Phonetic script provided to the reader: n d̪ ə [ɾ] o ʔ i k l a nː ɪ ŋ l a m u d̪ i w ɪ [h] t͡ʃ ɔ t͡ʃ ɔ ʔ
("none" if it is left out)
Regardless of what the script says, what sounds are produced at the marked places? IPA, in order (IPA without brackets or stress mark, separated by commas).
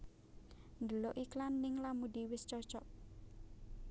l, s